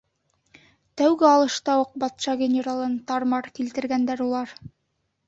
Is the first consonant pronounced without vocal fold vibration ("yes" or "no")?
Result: yes